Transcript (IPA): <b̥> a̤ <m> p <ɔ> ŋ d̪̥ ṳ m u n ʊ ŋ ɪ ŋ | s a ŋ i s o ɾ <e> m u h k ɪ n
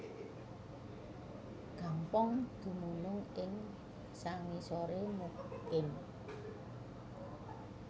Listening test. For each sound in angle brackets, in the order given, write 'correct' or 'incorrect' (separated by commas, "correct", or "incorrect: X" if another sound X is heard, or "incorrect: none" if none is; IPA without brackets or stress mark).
incorrect: ɡ̥, correct, correct, correct